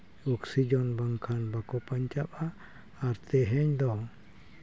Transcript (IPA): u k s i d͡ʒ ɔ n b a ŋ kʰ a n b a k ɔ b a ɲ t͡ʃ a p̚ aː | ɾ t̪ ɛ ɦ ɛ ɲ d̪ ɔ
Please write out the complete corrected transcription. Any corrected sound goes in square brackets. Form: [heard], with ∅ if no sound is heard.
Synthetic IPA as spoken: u k s i d͡ʒ ɔ n b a ŋ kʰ a n b a k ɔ [p] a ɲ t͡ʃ a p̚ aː | ɾ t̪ ɛ ɦ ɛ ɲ d̪ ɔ